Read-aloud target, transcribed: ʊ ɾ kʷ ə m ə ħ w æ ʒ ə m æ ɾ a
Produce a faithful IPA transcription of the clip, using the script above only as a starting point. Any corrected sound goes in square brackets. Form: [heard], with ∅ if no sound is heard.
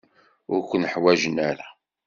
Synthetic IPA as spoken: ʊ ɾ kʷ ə [n] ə ħ w æ ʒ ə [n] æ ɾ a